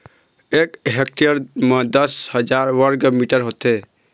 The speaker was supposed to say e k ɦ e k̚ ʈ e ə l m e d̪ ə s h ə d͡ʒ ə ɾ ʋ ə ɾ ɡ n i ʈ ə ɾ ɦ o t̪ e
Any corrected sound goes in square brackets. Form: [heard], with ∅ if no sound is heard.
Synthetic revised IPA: e k ɦ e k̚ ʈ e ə [ɾ] m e d̪ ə s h ə d͡ʒ [a] ɾ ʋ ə ɾ ɡ [m] i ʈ ə ɾ ɦ o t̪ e